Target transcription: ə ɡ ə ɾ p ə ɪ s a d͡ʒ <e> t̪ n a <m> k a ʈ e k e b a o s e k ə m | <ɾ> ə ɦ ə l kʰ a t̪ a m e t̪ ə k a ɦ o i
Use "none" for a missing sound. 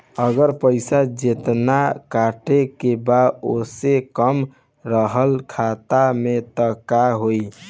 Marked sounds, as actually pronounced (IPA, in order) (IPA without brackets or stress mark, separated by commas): e, none, ɾ